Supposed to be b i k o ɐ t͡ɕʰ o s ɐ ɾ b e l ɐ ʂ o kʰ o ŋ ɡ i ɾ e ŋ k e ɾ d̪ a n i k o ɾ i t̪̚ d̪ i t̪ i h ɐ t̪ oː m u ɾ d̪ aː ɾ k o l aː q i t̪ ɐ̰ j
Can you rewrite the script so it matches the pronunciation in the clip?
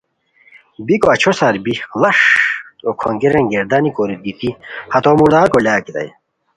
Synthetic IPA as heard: b i k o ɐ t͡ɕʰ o s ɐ ɾ b i l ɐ ʂ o kʰ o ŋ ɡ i ɾ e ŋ ɡ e ɾ d̪ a n i k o ɾ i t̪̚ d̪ i t̪ i h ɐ t̪ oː m u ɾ d̪ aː ɾ k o l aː k i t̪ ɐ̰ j